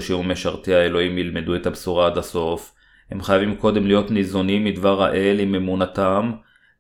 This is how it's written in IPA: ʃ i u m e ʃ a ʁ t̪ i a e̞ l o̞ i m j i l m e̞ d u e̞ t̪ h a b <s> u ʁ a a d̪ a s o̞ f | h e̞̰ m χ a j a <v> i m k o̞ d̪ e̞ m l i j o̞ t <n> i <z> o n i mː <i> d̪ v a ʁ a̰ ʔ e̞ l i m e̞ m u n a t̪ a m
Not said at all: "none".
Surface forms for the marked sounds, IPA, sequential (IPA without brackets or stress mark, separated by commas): s, v, n, z, i